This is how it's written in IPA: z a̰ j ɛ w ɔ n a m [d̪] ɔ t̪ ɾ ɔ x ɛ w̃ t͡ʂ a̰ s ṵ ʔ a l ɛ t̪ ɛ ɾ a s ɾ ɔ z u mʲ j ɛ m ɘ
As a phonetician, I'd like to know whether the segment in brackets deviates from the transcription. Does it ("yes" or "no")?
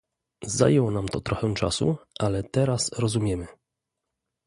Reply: yes